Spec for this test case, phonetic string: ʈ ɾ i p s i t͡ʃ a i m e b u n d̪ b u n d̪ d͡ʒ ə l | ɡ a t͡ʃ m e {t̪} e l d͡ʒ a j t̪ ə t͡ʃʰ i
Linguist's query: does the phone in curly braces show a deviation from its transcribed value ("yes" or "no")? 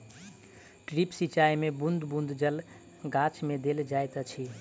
yes